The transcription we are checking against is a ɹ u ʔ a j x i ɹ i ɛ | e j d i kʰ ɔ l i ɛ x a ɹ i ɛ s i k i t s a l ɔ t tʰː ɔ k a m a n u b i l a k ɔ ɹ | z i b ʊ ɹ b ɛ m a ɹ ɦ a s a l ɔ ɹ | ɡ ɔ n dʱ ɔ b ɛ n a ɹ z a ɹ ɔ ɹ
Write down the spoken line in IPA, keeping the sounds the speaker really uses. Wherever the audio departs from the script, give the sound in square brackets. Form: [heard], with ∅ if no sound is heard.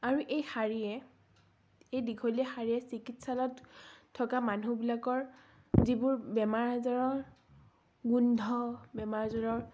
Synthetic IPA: a ɹ u ʔ [e] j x [a] ɹ i ɛ | e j d i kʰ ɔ l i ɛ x a ɹ i ɛ s i k i t s a l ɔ t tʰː ɔ k a m a n u b i l a k ɔ ɹ | z i b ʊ ɹ b ɛ m a ɹ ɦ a [z] a [ɹ] ɔ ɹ | ɡ [u] n dʱ ɔ b ɛ [m] a ɹ z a ɹ ɔ ɹ